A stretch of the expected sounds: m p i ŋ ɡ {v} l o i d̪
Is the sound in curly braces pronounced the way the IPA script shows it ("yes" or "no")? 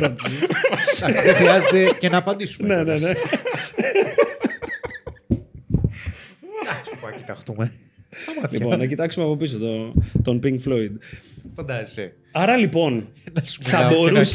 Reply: no